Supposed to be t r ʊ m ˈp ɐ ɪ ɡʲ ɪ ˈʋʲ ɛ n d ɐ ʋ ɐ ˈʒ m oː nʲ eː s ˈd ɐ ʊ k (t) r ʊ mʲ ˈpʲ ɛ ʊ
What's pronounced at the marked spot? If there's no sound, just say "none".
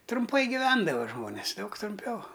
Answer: t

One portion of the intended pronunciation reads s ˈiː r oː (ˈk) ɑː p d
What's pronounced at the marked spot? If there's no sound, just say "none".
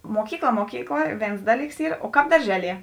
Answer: k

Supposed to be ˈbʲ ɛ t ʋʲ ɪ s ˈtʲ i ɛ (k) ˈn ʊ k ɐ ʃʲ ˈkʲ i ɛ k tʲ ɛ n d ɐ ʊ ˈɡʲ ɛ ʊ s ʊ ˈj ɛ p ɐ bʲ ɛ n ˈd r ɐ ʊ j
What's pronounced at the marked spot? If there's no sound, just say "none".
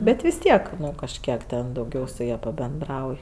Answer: k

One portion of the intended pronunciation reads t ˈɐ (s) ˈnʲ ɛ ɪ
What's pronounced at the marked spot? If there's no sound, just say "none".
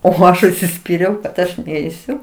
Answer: ʃ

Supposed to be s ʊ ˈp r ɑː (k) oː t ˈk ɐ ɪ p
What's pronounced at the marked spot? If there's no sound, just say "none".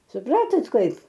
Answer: t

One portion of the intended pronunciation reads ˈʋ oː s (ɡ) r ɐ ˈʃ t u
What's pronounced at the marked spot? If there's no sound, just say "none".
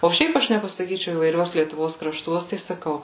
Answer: k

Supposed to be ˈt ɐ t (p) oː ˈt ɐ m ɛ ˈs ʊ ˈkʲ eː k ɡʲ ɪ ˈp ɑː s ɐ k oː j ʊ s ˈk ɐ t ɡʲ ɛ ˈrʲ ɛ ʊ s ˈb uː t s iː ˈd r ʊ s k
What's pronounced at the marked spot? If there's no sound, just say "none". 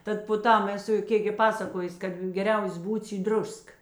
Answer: p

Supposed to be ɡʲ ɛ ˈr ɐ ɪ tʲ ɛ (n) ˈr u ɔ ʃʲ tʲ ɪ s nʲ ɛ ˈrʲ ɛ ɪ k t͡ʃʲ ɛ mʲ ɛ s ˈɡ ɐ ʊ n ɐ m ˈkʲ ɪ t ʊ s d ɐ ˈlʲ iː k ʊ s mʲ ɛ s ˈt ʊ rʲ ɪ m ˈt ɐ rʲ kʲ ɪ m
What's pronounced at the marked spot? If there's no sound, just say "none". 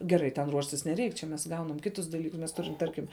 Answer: n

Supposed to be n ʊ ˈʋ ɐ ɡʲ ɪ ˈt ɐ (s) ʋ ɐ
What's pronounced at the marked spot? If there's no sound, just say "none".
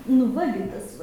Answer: s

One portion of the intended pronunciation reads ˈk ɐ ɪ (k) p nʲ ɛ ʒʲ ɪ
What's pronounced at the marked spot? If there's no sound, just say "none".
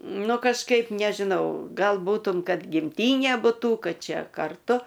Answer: none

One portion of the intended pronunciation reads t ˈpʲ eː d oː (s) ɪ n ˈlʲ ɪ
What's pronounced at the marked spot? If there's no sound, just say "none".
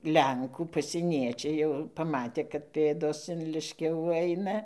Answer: s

